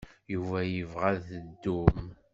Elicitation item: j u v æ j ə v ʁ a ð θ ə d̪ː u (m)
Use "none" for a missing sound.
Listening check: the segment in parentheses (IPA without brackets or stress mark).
m